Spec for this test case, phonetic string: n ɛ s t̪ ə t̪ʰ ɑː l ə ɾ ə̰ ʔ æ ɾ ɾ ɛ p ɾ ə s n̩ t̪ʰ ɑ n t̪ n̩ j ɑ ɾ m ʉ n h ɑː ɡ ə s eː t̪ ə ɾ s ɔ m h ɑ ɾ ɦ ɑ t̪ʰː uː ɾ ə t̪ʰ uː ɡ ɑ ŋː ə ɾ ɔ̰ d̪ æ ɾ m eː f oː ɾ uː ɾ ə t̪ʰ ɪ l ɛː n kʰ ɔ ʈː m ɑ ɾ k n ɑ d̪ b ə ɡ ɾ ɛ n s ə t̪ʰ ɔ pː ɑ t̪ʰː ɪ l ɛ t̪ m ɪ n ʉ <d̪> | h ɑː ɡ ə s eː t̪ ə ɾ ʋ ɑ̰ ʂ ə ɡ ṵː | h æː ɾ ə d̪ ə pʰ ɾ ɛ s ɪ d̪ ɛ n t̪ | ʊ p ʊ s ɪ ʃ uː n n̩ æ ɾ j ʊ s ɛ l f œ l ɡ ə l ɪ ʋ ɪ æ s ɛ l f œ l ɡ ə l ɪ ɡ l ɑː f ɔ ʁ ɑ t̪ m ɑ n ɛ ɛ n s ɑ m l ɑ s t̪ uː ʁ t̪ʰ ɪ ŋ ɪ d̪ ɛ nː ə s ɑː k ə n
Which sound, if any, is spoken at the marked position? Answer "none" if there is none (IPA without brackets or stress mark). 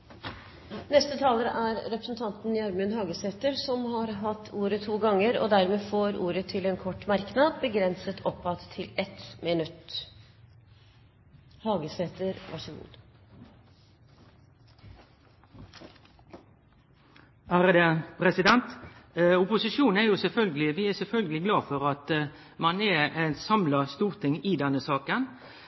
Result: t̪